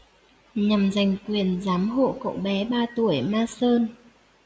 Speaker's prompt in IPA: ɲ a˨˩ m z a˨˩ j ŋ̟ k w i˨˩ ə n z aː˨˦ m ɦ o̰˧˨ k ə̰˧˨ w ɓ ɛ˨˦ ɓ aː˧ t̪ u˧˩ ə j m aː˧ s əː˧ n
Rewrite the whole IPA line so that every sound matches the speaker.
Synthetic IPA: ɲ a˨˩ m z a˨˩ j ŋ̟ k w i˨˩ ə n z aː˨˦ m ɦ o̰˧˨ k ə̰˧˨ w ɓ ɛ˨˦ ɓ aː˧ t̪ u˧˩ ə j m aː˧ s əː˧ n